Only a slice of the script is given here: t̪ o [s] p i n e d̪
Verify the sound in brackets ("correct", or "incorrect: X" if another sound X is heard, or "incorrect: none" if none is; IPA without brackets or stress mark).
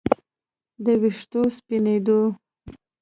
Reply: correct